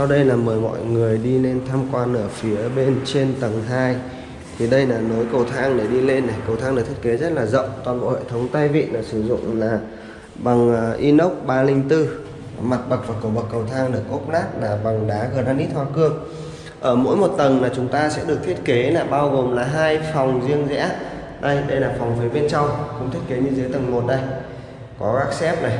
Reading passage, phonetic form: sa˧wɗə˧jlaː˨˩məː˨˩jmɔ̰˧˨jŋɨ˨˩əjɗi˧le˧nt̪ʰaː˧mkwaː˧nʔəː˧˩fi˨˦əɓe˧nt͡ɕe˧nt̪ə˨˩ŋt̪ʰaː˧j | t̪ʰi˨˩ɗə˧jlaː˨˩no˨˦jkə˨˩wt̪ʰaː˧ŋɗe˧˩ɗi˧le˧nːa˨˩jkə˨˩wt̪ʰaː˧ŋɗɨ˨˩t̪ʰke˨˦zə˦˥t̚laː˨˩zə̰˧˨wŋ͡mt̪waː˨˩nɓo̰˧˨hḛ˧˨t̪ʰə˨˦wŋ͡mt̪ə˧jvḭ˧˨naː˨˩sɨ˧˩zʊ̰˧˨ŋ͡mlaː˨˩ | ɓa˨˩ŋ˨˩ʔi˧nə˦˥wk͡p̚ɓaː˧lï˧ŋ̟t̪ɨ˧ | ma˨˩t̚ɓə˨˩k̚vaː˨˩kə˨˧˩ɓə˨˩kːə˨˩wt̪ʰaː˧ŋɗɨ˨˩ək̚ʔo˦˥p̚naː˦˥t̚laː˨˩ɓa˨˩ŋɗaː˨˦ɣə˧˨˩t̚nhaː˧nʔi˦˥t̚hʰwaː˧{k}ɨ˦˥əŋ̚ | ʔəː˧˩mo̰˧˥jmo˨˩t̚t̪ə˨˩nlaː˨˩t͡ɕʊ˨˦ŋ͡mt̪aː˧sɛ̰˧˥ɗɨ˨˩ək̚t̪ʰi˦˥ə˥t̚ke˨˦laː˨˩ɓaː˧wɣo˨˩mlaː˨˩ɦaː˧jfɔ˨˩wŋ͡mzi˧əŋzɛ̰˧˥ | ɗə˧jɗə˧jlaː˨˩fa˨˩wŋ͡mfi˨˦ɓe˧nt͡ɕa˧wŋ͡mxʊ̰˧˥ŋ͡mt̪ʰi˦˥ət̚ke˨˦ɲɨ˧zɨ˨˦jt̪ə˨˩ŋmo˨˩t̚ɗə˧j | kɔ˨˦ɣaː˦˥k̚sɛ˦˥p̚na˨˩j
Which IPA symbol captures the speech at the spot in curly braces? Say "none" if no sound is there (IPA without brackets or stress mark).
k